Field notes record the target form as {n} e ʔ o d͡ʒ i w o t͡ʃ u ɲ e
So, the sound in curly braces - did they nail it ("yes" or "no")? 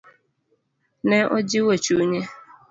yes